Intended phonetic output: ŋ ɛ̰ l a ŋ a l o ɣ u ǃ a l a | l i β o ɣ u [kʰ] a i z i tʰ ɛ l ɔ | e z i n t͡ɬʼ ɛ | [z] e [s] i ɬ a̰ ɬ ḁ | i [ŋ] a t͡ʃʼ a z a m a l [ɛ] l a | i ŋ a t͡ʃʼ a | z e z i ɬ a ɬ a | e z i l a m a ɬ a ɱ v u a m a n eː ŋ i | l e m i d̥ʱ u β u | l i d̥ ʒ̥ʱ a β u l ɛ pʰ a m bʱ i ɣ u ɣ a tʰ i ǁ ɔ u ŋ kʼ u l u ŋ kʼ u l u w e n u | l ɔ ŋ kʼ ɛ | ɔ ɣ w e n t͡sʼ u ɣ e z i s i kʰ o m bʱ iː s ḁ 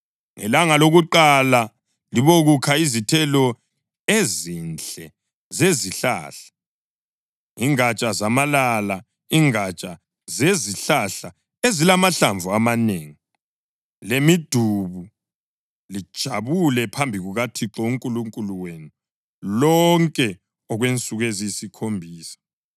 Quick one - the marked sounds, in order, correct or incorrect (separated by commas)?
correct, correct, incorrect, correct, incorrect